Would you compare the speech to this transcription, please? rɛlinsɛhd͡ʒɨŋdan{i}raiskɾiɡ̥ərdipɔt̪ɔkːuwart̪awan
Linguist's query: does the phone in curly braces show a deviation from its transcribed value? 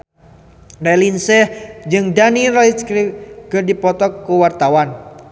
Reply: no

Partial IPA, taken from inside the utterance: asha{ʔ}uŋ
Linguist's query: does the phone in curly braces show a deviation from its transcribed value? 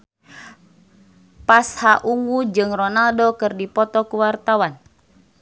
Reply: no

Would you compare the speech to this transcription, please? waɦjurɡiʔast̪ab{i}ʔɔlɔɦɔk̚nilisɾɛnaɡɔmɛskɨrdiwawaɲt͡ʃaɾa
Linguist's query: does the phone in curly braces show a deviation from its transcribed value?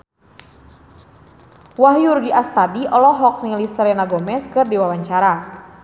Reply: no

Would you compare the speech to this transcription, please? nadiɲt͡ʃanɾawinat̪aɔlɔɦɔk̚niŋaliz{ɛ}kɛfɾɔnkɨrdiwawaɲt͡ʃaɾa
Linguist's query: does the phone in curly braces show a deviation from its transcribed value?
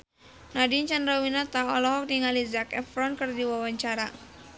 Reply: yes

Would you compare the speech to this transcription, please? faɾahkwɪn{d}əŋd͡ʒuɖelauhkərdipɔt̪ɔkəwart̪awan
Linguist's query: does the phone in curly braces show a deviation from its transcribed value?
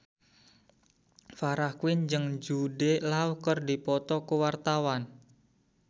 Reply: yes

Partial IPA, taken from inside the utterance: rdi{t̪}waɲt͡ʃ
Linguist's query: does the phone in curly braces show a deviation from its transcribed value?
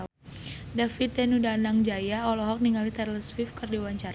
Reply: yes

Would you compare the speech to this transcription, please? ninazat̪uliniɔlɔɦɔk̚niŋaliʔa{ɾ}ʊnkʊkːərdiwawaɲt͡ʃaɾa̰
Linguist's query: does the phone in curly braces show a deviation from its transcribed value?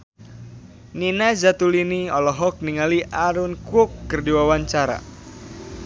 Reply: no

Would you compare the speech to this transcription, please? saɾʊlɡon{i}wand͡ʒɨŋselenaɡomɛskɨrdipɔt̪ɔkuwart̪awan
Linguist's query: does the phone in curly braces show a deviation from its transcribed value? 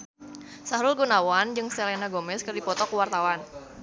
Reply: yes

